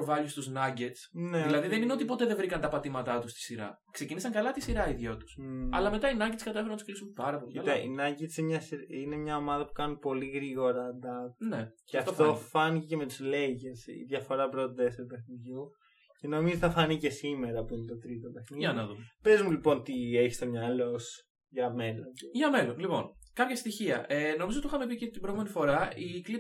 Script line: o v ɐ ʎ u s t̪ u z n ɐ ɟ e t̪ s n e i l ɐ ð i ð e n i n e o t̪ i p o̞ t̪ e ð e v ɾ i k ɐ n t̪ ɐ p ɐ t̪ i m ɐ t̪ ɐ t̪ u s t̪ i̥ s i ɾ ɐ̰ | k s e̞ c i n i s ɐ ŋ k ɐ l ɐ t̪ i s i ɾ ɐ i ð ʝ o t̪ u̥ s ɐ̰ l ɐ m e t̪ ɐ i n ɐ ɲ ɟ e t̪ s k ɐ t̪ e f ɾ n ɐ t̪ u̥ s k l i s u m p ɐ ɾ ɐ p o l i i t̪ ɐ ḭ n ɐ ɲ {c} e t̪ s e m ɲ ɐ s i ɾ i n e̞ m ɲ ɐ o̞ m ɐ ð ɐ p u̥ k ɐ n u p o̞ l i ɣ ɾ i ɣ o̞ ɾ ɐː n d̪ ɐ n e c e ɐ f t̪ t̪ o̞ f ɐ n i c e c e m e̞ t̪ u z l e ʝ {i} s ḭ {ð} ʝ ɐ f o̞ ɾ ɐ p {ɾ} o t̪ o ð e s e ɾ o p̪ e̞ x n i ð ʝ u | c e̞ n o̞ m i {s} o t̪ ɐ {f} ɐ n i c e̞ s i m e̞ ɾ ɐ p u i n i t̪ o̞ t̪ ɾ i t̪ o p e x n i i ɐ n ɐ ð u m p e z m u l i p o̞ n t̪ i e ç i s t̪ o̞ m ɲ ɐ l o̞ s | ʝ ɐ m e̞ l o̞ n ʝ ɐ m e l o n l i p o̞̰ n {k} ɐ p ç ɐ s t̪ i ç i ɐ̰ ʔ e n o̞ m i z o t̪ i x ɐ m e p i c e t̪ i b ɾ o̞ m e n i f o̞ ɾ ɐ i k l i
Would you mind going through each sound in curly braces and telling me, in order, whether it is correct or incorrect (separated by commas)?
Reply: incorrect, incorrect, correct, correct, incorrect, correct, correct